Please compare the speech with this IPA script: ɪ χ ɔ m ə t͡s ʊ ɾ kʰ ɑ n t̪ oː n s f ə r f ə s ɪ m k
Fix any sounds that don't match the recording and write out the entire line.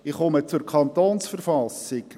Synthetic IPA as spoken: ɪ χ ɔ m ə t͡s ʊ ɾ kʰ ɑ n t̪ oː n s f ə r f ɑ s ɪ k